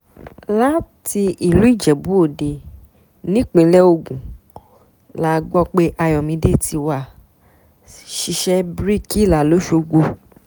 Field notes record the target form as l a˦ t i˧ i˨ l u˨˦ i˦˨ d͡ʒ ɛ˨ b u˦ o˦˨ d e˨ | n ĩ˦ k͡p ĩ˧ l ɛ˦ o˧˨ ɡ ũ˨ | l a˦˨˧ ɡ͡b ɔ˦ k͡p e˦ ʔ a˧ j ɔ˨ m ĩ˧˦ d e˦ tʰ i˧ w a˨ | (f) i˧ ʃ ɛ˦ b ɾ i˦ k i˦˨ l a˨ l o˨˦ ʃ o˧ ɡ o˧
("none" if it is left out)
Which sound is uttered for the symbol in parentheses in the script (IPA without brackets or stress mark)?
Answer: ʃ